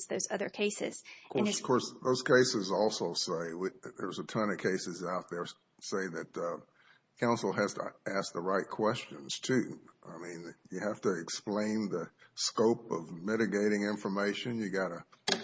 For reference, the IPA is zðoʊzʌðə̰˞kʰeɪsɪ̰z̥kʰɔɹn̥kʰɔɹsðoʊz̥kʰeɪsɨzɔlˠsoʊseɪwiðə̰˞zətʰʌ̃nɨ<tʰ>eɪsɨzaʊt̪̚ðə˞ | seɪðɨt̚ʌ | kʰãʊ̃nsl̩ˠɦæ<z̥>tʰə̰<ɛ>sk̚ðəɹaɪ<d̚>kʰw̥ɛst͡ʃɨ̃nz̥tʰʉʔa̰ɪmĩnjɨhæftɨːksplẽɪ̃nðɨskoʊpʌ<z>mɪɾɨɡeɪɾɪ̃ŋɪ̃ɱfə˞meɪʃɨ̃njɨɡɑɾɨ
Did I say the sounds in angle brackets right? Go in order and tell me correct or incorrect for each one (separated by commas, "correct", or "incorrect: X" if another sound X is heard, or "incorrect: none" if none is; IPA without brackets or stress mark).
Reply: incorrect: kʰ, correct, incorrect: æ, incorrect: t̚, incorrect: v